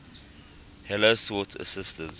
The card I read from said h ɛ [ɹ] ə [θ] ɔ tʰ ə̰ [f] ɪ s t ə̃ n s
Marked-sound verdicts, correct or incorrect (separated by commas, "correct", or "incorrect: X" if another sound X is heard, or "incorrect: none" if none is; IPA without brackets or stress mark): incorrect: l, incorrect: s, incorrect: s